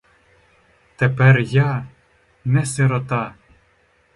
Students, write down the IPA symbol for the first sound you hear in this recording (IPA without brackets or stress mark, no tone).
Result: t̪